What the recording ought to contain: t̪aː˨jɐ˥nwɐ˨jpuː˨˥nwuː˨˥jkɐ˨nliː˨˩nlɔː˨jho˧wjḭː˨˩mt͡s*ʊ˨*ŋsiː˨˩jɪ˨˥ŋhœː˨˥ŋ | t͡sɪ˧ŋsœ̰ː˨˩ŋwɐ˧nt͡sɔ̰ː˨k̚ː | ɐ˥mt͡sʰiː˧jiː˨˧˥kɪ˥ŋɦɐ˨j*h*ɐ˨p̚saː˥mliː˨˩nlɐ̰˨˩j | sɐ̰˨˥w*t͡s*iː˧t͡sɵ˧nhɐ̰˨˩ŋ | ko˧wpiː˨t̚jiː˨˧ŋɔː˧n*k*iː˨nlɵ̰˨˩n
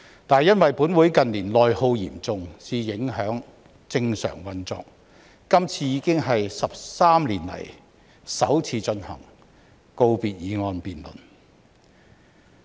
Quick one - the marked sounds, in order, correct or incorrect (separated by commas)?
correct, incorrect, incorrect, incorrect